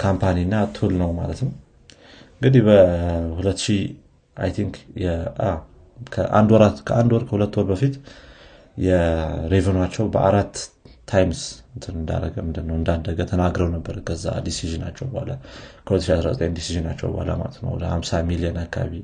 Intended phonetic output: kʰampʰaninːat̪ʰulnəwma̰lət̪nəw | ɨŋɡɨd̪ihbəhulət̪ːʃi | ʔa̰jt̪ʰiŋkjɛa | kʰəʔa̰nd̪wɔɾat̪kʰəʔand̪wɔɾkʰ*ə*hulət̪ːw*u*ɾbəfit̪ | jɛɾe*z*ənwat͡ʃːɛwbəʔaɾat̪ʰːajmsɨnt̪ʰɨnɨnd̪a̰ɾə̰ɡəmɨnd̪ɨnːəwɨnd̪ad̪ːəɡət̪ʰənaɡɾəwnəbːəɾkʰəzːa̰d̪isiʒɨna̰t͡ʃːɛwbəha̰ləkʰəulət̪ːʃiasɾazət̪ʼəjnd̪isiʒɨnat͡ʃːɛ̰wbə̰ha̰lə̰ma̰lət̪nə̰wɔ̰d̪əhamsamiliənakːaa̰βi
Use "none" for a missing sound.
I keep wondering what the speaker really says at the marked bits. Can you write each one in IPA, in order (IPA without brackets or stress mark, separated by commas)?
ə, ɔ, v